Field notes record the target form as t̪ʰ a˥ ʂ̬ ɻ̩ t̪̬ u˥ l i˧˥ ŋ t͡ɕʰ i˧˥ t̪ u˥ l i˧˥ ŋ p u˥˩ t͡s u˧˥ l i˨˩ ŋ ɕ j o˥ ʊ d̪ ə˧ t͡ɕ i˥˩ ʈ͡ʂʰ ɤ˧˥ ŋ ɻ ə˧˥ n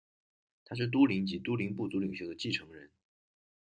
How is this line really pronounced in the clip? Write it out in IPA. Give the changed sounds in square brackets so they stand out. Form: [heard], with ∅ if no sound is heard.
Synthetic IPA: t̪ʰ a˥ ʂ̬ ɻ̩ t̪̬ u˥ l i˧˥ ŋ [t͡ɕ] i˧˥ t̪ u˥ l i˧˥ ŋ p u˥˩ t͡s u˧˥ l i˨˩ ŋ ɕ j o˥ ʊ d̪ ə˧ t͡ɕ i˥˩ ʈ͡ʂʰ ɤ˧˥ ŋ ɻ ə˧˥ n